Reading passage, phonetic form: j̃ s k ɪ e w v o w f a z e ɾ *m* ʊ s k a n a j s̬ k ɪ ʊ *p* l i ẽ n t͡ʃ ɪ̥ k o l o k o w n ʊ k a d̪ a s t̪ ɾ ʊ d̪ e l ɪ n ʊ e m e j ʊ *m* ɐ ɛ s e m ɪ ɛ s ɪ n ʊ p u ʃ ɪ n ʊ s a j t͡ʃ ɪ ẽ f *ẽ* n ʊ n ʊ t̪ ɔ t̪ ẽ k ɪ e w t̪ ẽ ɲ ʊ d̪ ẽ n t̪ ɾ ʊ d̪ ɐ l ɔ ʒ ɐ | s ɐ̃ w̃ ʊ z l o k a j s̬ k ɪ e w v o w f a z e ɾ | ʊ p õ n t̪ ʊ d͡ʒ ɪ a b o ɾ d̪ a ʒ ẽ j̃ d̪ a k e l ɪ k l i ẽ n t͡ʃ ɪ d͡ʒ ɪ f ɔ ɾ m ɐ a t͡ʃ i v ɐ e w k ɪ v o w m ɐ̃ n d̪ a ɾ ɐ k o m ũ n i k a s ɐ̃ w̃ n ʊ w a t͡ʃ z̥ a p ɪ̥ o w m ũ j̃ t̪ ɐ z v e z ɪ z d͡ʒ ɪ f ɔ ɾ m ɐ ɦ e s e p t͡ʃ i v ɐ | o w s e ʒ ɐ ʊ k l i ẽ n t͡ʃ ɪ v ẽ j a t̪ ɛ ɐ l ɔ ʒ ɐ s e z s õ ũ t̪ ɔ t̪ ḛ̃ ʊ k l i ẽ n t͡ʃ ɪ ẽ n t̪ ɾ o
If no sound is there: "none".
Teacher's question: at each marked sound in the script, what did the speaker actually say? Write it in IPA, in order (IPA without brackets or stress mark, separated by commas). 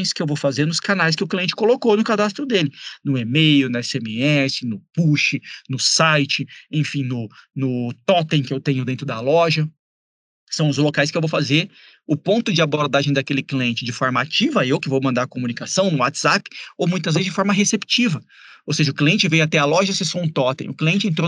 n, k, n, ĩ